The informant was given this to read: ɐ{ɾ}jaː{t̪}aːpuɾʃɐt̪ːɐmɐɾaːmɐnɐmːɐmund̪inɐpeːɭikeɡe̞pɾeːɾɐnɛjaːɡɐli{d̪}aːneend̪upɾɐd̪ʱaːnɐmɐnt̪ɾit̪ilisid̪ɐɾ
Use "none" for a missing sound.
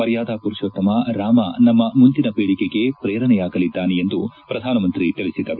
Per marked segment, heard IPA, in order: ɾ, d̪, d̪ː

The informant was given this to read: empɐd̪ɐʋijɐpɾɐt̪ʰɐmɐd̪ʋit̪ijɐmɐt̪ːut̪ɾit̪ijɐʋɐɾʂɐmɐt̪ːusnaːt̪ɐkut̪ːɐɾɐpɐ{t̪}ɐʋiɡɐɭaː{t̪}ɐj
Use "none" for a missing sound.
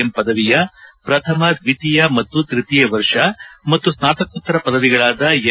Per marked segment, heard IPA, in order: d̪, d̪

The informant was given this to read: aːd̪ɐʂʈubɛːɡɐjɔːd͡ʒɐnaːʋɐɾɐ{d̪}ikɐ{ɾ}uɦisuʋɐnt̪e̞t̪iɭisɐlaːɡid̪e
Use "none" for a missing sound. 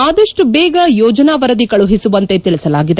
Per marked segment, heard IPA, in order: d̪, ɭ

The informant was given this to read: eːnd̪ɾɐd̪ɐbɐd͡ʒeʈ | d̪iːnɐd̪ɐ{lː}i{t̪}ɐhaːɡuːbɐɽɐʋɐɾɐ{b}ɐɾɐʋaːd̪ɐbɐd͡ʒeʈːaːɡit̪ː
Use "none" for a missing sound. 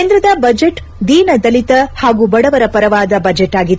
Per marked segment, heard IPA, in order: l, t̪, p

